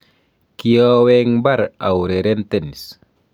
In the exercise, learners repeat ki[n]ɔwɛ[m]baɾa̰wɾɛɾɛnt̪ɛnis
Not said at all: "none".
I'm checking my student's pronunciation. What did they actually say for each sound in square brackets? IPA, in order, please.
none, ŋ

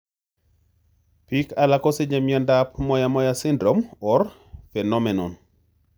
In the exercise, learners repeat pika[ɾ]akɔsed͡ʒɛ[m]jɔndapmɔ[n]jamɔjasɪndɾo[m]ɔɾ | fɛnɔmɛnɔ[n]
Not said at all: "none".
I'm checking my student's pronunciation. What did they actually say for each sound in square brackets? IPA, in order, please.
l, m, none, m, n

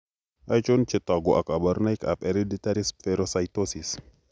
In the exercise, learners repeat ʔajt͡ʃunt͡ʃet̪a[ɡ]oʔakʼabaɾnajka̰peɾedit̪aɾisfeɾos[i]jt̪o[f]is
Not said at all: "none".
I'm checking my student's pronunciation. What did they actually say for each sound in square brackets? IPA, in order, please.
ɡ, a, s

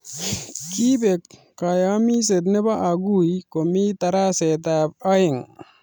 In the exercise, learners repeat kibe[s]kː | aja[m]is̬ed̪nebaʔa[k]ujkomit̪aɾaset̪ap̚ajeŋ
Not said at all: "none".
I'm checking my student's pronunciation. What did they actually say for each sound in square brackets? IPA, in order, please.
none, m, ɡ

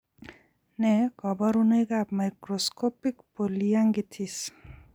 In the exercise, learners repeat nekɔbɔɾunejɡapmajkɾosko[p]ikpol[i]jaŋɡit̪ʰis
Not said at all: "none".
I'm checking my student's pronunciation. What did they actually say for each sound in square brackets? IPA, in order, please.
p, i

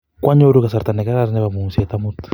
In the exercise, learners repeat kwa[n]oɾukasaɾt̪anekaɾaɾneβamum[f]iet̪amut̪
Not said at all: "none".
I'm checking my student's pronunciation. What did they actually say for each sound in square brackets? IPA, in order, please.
ɲ, s

